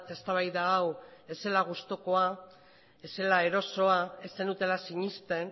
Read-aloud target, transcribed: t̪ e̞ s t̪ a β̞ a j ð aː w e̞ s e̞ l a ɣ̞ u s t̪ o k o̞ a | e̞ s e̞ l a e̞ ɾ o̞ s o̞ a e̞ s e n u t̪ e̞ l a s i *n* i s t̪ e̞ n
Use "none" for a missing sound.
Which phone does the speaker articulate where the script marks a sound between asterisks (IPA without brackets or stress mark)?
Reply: ɲ